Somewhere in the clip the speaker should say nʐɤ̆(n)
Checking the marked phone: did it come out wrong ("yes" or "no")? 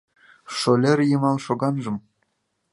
yes